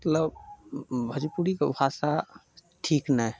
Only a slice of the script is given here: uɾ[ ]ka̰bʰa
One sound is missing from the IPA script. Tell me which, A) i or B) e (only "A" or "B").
A